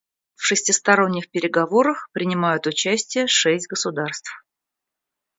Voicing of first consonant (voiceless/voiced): voiceless